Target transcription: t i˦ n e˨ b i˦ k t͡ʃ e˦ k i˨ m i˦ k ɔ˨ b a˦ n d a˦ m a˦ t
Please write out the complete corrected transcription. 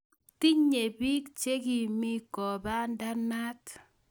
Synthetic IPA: t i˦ ɲ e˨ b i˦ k t͡ʃ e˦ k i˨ m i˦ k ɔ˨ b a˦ n d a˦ n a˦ t